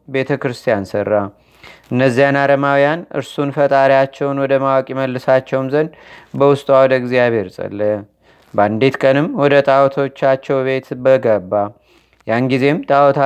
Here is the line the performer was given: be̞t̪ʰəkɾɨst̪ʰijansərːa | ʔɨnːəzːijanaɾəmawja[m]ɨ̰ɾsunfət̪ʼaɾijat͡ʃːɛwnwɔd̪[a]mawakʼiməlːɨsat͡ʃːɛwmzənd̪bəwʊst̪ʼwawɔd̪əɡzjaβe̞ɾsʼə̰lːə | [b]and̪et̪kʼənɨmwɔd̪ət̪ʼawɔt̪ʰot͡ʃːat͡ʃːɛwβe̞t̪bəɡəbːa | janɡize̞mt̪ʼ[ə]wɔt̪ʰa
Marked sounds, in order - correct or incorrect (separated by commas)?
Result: incorrect, incorrect, correct, incorrect